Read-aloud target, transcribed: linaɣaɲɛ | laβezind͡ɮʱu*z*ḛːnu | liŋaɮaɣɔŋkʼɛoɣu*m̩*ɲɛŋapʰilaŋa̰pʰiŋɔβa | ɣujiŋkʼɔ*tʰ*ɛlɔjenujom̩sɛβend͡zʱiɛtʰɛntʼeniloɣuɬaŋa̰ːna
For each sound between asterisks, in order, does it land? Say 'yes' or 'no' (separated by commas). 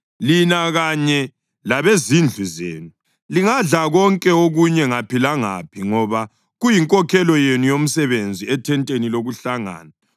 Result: yes, no, no